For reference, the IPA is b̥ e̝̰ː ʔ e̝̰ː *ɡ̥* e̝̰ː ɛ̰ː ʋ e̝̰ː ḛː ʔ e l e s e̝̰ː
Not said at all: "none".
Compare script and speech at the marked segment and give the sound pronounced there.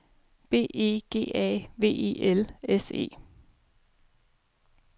ɡ̥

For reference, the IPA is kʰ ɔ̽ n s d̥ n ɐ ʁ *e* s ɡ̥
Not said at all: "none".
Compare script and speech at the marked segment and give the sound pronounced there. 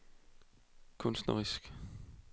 i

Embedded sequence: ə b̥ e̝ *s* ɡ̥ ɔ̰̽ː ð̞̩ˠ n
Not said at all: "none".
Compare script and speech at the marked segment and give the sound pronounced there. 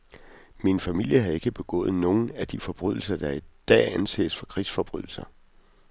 none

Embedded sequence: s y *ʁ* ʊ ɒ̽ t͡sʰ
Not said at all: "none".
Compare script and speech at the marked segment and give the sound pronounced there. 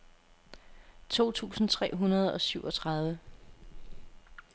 none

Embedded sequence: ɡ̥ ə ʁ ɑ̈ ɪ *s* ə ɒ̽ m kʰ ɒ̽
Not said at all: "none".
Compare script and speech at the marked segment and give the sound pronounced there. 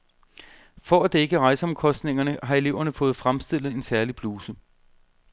s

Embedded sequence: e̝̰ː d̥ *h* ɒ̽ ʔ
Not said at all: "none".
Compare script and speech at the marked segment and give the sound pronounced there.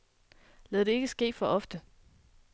f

